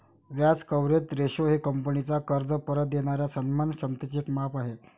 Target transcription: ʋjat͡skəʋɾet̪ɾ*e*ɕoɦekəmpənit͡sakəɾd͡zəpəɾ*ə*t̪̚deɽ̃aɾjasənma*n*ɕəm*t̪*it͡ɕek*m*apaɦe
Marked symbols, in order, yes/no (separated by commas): yes, yes, yes, yes, yes